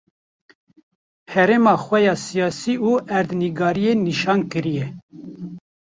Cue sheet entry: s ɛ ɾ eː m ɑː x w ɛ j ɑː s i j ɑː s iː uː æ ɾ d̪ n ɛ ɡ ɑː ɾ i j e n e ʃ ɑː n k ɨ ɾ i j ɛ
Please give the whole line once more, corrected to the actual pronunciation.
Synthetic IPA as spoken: h ɛ ɾ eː m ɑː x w ɛ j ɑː s i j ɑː s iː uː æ ɾ d̪ n i ɡ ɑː ɾ i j e n i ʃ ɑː n k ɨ ɾ i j ɛ